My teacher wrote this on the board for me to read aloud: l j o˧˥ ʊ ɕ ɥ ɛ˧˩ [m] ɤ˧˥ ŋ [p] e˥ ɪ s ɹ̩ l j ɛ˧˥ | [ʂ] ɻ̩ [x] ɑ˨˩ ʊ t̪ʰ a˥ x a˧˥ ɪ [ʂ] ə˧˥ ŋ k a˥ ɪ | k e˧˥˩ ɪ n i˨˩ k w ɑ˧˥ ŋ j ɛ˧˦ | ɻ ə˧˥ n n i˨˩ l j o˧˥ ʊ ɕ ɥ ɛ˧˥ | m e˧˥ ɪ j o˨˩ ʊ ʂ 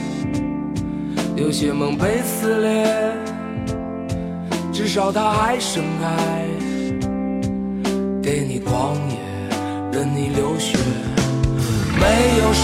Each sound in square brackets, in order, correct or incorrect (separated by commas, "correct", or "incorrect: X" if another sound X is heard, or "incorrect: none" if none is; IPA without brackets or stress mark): correct, correct, incorrect: ʈ͡ʂ, incorrect: ʂ, correct